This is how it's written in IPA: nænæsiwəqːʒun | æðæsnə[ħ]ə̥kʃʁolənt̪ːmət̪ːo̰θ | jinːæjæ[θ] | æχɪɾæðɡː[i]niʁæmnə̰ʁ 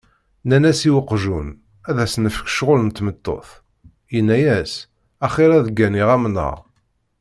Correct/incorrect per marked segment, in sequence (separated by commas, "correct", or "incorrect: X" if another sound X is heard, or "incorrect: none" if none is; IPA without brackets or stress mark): incorrect: f, incorrect: s, incorrect: æ